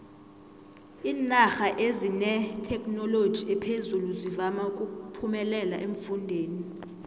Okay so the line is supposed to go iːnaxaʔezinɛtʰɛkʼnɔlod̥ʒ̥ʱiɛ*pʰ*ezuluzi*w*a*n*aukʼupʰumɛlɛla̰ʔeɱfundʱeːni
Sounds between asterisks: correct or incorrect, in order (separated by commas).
correct, incorrect, incorrect